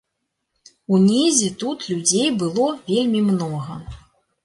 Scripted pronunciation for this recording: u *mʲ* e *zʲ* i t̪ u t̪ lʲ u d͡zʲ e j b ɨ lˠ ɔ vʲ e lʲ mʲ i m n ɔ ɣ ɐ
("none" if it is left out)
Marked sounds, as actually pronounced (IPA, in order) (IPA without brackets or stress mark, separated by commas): nʲ, zʲ